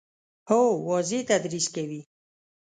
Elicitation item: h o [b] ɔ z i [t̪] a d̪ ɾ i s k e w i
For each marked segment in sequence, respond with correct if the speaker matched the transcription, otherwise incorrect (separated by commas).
incorrect, correct